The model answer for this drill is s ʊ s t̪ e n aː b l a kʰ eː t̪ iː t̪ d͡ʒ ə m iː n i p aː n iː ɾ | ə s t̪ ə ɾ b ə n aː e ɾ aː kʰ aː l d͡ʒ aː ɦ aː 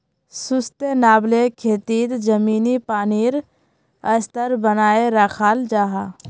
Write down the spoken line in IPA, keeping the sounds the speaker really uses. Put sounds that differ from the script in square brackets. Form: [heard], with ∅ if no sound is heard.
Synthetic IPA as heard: s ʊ s t̪ e n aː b l [e] kʰ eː t̪ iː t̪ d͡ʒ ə m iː n i p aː n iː ɾ | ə s t̪ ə ɾ b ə n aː e ɾ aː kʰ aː l d͡ʒ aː ɦ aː